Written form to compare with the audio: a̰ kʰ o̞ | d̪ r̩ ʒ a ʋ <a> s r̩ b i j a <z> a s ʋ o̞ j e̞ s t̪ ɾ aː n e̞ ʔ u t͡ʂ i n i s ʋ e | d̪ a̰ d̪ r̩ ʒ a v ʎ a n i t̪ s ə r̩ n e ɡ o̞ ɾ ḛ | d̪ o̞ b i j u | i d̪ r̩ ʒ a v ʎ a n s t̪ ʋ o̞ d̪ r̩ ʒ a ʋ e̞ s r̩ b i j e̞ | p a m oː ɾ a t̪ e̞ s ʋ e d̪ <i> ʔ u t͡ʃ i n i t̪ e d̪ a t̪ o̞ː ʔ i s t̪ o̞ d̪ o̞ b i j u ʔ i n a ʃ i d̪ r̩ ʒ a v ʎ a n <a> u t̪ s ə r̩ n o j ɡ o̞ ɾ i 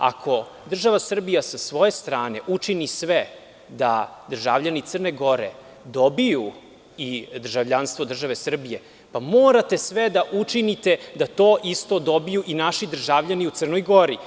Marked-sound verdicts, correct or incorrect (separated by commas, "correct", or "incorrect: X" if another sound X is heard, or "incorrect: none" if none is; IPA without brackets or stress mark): correct, incorrect: s, incorrect: a, incorrect: i